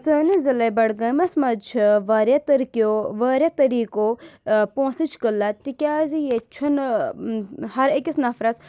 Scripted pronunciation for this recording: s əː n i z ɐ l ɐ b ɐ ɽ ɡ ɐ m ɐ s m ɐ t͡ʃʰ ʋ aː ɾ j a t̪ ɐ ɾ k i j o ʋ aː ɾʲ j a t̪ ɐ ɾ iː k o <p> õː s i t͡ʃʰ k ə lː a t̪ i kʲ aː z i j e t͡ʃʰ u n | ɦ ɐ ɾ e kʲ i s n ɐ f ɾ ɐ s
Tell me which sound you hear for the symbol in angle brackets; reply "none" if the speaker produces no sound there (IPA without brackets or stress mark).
p